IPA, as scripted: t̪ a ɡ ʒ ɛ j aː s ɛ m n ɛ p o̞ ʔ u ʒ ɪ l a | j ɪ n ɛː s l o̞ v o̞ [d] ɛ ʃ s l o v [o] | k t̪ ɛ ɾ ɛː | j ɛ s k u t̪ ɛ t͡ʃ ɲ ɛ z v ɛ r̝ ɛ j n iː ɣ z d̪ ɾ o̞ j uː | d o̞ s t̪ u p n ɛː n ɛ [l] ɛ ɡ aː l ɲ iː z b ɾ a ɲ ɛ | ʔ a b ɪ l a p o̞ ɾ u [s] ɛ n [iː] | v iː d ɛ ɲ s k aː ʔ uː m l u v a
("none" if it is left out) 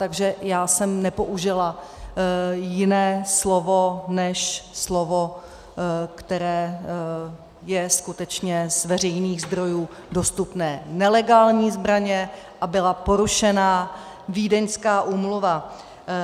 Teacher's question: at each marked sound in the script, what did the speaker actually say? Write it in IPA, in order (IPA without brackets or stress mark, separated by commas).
n, o, l, ʃ, aː